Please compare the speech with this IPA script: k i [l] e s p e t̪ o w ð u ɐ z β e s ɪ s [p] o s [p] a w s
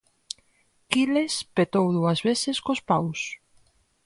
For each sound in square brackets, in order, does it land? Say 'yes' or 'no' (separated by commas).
yes, no, yes